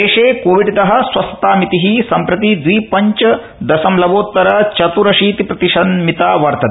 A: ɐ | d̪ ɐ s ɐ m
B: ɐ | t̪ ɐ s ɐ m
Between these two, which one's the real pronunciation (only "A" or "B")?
A